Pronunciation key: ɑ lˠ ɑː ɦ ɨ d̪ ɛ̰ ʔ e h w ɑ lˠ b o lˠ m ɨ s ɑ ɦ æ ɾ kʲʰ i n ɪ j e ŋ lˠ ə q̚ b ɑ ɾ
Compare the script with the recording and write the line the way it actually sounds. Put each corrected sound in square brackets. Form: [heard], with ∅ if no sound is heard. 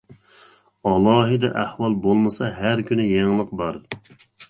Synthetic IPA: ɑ lˠ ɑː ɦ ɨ d̪ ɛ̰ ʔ [æ] h w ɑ lˠ b o lˠ m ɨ s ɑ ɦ æ ɾ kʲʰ [y] n ɪ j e ŋ lˠ ə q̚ b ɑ ɾ